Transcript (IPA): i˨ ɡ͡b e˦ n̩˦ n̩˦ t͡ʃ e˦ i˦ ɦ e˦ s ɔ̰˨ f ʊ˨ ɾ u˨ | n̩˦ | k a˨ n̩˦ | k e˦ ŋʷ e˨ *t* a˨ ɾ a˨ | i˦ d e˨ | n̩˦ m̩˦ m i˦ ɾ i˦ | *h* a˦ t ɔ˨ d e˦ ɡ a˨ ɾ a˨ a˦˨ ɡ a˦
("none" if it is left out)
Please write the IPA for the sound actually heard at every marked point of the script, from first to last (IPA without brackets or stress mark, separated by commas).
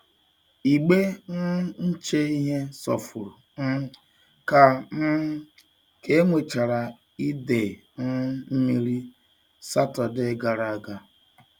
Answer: t͡ʃ, s